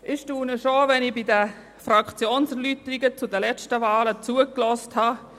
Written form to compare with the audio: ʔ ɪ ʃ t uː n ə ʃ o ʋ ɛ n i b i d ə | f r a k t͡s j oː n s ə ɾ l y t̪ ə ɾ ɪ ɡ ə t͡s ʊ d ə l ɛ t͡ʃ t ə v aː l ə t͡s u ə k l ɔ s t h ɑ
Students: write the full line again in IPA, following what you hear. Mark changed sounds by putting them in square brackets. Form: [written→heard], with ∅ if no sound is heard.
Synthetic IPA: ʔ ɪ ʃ t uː n ə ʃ o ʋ ɛ n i b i d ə | f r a k t͡s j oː n s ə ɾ l y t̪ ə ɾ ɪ ɡ ə t͡s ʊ d ə l ɛ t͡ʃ t ə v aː l ə t͡s u ə k l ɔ s t h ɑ